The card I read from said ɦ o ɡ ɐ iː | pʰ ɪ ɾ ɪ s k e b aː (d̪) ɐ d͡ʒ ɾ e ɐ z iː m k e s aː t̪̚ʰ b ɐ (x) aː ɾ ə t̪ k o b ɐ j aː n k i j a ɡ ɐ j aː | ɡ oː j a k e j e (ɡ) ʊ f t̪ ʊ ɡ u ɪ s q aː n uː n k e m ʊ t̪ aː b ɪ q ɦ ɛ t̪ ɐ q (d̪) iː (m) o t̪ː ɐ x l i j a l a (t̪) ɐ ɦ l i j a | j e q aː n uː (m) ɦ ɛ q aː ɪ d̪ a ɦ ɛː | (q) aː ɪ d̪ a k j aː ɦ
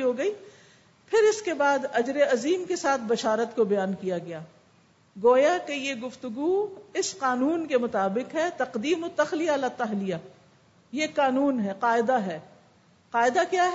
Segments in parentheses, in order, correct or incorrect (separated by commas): correct, incorrect, correct, correct, correct, correct, incorrect, correct